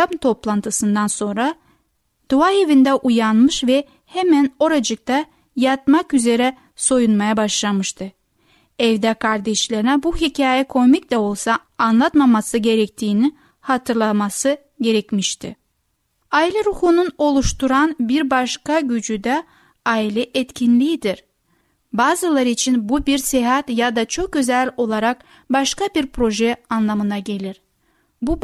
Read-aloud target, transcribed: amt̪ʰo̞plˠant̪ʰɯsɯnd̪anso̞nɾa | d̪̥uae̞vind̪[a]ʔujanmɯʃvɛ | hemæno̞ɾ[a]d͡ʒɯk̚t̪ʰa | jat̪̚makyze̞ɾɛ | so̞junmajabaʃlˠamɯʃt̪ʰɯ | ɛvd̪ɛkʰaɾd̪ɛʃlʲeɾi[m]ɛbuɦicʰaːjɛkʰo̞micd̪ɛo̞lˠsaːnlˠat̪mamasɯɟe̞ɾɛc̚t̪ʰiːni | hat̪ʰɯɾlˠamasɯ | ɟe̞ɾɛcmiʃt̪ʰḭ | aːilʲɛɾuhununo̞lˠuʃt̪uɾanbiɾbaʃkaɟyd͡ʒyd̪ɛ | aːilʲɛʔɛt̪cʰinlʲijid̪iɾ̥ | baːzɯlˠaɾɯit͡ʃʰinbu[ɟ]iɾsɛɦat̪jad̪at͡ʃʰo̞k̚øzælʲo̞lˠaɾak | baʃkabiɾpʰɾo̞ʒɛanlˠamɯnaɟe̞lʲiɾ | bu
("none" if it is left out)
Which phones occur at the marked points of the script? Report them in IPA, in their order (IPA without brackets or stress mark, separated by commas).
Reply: ɛ, a, n, b